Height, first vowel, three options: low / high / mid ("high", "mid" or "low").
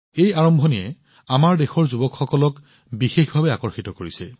mid